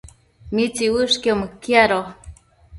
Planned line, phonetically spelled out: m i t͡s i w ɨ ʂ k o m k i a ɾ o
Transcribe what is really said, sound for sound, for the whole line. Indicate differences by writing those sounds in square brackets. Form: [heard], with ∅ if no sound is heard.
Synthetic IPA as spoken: m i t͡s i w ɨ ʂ k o m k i a ɾ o